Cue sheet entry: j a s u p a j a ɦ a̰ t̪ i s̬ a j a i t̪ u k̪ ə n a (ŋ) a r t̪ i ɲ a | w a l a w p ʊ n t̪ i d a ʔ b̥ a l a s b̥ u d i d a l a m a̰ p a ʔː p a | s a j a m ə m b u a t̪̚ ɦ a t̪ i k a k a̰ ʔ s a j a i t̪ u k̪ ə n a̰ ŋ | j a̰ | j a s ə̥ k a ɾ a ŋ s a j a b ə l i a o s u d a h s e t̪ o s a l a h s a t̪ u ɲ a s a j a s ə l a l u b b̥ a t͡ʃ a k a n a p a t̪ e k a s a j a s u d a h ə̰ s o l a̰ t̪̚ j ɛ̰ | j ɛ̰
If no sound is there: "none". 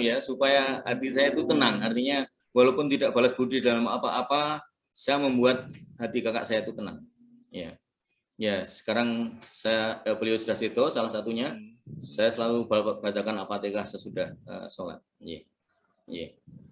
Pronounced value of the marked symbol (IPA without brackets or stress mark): ŋ